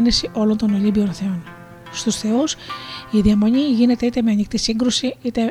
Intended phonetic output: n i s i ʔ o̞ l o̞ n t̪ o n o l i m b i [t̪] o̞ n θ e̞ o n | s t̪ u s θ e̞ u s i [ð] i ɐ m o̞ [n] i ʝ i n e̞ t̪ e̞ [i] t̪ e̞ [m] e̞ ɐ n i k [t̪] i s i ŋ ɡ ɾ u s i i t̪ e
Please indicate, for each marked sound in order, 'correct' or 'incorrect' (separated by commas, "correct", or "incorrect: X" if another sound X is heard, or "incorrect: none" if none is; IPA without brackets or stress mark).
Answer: incorrect: none, correct, incorrect: ɲ, correct, correct, correct